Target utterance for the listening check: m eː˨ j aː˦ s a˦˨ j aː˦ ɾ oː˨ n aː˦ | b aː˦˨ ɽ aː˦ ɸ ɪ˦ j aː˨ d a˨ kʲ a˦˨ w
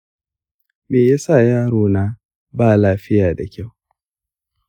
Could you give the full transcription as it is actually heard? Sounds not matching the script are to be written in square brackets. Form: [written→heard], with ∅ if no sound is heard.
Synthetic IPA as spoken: m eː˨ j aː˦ s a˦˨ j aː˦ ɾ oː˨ n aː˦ | b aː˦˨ [ɽ→l] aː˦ ɸ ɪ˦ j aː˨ d a˨ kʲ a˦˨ w